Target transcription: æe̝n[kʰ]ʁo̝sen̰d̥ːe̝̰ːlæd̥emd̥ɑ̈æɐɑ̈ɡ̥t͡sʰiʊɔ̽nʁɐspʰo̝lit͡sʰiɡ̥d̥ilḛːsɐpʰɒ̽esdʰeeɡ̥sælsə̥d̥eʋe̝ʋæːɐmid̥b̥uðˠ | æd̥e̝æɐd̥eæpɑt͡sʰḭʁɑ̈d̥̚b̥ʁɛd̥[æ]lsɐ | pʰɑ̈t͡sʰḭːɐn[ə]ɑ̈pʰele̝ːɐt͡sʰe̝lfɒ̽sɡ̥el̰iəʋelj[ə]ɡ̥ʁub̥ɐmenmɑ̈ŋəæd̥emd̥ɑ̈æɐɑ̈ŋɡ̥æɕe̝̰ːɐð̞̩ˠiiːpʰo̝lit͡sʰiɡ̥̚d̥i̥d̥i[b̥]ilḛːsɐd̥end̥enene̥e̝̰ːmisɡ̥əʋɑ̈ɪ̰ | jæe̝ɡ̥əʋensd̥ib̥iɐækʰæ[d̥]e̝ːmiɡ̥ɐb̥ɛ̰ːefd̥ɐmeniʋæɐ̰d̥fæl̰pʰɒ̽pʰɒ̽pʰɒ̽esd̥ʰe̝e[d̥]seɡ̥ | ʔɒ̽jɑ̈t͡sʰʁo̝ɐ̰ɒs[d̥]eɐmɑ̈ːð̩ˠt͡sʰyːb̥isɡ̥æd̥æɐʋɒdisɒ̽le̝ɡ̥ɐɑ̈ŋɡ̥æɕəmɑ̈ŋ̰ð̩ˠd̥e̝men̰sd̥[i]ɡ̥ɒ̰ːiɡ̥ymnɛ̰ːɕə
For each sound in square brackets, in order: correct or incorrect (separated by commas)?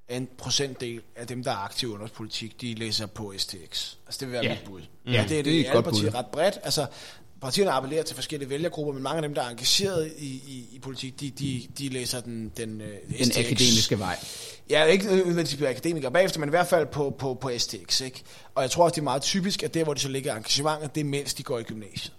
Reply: incorrect, correct, correct, incorrect, incorrect, correct, incorrect, correct, correct